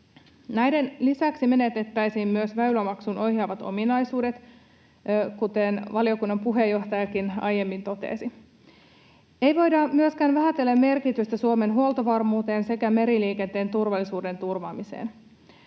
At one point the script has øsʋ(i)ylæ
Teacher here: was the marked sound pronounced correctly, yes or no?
no